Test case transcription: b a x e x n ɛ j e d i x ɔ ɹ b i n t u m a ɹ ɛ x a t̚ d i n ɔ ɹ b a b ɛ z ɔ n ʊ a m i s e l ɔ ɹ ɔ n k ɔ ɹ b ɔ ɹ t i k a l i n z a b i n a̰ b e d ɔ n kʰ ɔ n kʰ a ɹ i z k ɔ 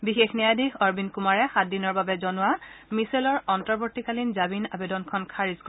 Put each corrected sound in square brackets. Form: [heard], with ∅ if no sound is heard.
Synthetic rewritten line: b [i] x e x n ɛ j [a] d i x ɔ ɹ b i n [k] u m a ɹ ɛ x a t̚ d i n ɔ ɹ b a b ɛ z ɔ n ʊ a m i s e l ɔ ɹ ɔ n [t] ɔ ɹ b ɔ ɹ t i k a l i n z a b i n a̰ b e d ɔ n kʰ ɔ n kʰ a ɹ i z k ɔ